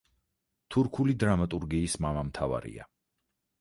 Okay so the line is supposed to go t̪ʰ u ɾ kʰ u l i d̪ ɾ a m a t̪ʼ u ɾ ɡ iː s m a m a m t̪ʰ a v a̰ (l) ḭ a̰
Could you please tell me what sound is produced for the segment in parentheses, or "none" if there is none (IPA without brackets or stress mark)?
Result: ɾ